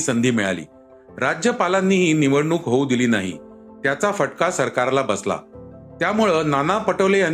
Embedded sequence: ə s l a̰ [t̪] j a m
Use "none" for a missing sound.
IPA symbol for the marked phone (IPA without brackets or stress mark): t̪